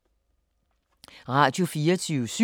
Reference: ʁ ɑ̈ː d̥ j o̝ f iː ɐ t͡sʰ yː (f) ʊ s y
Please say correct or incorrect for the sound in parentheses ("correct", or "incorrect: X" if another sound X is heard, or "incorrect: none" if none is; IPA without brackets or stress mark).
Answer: incorrect: none